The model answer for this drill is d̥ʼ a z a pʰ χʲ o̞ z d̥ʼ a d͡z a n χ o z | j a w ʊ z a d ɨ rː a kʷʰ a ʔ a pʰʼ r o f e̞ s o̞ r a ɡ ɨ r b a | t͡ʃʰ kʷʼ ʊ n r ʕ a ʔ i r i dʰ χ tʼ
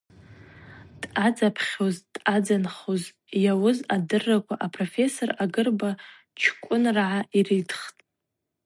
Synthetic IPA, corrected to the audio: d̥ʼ a d͡z a pʰ χʲ o̞ z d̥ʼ a d͡z a n χ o z | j a w ʊ z a d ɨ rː a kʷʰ a ʔ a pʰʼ r o f e̞ s o̞ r a ɡ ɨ r b a | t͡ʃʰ kʷʼ ʊ n r ʕ a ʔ i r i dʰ χ tʼ